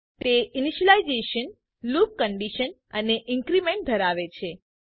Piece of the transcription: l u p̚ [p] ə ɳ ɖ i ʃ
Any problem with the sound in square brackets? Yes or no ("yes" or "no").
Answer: yes